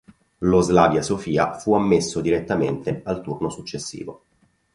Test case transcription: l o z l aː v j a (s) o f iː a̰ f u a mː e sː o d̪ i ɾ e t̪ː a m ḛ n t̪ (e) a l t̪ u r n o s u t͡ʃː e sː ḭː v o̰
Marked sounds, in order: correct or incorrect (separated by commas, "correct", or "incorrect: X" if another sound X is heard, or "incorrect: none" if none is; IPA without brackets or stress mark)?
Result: correct, correct